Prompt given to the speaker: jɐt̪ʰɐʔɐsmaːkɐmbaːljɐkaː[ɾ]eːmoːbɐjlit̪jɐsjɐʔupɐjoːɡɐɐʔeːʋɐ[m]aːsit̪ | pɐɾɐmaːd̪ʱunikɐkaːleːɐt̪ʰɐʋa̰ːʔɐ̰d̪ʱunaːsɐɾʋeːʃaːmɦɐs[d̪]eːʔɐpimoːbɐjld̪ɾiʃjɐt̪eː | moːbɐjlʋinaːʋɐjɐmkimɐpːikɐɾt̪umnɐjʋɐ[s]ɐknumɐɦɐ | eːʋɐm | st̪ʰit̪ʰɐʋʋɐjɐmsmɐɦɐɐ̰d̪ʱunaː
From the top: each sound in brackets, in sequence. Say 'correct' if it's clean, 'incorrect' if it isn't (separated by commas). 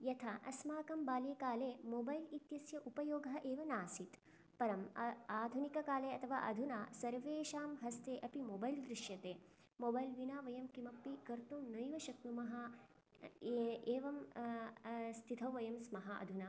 incorrect, incorrect, incorrect, incorrect